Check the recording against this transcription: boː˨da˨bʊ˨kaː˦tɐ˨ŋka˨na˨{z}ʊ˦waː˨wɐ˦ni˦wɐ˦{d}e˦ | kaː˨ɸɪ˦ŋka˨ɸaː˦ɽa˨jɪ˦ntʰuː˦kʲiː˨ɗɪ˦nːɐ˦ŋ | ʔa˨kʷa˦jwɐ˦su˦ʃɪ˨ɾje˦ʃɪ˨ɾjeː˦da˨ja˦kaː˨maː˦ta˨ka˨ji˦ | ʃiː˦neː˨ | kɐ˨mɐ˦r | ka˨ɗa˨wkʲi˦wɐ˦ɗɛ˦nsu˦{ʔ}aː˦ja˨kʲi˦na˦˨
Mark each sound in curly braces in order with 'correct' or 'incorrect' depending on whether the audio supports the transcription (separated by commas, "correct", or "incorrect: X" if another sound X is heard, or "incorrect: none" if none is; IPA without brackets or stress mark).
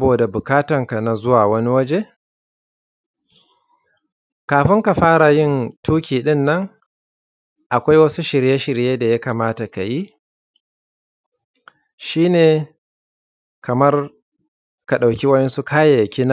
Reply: correct, incorrect: d͡ʒ, incorrect: k